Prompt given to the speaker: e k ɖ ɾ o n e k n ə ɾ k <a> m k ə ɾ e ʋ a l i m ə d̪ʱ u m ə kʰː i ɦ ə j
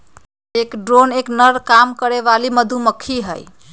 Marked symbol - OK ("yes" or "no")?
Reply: yes